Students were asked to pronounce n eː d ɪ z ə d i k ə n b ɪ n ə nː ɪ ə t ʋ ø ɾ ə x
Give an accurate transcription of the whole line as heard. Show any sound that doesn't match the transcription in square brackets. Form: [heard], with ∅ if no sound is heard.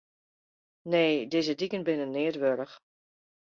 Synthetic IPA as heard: n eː d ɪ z ə d i k ə n b ɪ n ə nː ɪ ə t ʋ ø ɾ ə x